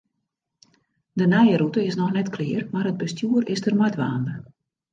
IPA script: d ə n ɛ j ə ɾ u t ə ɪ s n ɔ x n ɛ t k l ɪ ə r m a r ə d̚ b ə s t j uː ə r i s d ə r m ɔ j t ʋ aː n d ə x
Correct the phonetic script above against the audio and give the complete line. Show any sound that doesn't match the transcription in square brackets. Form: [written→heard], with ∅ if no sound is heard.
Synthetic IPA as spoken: d ə n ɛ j ə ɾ u t ə ɪ s n ɔ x n ɛ t k l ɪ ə r m a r ə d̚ b ə s t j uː ə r [i→ɪ] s d ə r m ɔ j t ʋ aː n d ə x